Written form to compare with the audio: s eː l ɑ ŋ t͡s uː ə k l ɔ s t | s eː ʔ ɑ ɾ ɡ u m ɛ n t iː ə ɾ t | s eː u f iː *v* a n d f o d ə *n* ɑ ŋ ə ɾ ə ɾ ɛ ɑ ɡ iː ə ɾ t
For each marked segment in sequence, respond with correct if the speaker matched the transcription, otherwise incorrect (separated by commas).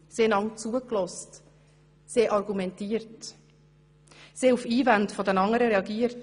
correct, correct